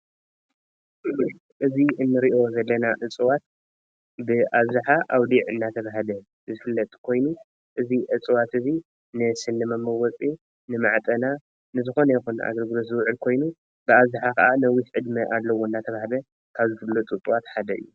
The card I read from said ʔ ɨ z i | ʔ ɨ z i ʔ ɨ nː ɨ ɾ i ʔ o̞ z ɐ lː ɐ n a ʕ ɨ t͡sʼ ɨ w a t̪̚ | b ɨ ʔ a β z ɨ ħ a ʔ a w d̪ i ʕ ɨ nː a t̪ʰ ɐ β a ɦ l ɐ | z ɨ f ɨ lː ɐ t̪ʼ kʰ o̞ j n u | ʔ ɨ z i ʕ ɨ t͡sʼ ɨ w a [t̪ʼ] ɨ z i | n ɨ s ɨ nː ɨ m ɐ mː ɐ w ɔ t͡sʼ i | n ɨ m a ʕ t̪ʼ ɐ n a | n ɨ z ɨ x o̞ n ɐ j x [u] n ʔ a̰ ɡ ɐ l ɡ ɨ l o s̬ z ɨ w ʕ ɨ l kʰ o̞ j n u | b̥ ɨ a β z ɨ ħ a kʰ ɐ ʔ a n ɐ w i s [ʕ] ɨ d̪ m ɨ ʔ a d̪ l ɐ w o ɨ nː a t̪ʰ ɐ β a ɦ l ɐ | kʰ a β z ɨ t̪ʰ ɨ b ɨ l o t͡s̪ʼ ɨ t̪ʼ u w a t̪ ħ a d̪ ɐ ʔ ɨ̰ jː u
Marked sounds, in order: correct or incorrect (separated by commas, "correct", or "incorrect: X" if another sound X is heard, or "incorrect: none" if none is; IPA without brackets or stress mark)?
incorrect: t̪, correct, correct